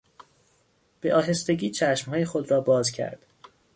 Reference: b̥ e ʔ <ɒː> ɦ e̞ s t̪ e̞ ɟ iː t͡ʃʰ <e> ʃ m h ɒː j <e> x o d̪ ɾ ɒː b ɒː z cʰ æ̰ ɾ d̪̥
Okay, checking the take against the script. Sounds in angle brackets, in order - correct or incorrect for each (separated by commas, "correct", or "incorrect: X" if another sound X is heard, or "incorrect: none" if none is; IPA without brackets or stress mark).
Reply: correct, incorrect: æ, correct